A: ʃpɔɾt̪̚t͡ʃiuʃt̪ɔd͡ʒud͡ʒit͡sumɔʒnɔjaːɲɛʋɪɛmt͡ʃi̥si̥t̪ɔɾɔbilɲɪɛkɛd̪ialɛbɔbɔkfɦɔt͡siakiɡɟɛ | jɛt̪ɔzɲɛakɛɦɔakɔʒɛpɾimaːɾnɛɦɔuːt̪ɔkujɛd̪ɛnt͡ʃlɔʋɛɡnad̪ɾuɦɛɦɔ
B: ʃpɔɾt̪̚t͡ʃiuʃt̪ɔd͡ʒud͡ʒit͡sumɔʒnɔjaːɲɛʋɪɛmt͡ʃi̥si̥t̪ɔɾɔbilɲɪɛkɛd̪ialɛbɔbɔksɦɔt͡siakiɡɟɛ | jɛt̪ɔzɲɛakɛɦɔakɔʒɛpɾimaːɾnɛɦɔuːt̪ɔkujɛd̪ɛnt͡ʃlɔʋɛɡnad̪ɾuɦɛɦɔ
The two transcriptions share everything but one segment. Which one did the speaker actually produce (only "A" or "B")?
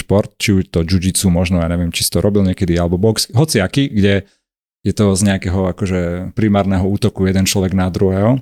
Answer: B